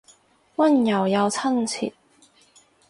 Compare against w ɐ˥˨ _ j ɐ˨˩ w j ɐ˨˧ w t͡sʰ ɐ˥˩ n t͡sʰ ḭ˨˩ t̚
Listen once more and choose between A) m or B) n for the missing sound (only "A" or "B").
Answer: B